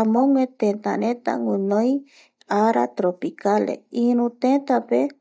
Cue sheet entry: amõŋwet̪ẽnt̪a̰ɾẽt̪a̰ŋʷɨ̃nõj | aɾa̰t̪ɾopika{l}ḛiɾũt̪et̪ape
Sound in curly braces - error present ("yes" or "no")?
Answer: no